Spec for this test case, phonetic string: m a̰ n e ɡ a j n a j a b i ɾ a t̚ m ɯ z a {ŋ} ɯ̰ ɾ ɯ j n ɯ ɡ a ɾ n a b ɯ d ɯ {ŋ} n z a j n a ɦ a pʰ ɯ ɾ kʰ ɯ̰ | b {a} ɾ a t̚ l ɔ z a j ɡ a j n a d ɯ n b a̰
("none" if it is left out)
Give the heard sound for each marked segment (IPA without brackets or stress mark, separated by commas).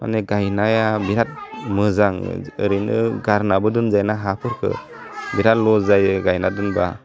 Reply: ŋ, none, i